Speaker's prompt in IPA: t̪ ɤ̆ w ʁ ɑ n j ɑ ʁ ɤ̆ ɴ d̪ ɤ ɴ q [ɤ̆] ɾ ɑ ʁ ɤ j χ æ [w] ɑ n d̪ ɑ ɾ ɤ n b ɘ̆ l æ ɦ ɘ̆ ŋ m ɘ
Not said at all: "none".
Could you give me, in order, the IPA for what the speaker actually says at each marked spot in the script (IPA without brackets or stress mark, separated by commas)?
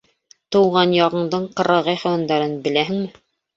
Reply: ɤ̆, w